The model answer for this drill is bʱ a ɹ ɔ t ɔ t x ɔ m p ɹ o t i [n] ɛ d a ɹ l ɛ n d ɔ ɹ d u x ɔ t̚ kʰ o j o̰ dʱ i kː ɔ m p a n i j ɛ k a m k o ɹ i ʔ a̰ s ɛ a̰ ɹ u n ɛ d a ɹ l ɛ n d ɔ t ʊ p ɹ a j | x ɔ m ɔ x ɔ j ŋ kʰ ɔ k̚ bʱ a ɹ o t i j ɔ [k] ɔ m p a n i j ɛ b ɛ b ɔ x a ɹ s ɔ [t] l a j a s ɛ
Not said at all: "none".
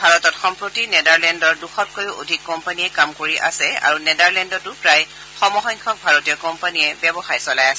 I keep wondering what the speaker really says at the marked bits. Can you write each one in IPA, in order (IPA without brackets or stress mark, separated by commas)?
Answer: n, k, none